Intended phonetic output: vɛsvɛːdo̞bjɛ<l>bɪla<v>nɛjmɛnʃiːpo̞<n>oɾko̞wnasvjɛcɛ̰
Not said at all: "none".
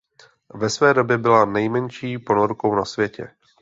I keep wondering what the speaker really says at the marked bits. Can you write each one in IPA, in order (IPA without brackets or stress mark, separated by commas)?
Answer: none, none, n